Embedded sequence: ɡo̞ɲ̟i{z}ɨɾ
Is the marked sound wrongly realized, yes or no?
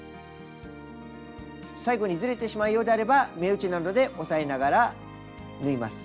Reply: no